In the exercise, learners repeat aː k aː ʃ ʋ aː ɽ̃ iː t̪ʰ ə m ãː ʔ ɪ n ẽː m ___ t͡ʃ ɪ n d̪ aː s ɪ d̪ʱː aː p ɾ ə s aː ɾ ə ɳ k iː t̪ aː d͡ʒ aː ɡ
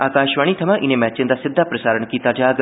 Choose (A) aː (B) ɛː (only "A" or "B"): B